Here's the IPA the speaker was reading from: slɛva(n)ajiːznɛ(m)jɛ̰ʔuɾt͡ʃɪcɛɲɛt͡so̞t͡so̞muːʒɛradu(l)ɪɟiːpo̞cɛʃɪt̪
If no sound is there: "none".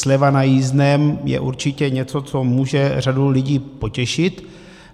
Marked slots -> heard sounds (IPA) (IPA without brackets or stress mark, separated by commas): n, m, l